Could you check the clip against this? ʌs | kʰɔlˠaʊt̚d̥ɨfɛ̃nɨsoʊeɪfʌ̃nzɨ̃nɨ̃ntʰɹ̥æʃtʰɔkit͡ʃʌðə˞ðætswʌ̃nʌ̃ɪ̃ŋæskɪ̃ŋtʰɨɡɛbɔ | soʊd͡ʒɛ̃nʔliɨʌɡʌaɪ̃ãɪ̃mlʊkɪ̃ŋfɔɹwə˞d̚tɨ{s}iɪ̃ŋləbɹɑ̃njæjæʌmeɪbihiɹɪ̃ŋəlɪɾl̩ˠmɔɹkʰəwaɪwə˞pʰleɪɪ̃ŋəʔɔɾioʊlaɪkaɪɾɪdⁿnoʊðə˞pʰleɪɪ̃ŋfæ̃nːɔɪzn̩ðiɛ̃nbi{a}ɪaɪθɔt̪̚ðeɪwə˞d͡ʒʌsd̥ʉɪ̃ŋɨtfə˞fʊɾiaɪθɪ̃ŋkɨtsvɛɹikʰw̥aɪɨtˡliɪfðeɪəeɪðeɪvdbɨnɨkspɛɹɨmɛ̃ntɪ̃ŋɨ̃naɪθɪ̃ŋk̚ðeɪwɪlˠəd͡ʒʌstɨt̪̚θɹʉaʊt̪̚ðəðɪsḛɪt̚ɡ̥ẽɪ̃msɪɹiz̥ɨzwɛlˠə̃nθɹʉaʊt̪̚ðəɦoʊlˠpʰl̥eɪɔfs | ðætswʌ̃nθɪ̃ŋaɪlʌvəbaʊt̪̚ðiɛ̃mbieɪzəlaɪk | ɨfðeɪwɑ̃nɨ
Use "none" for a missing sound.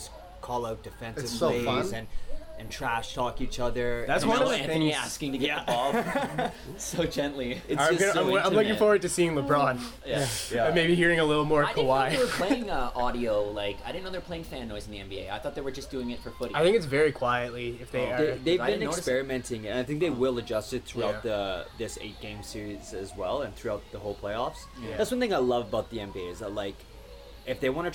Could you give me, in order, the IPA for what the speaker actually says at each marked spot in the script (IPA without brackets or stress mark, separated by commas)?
s, e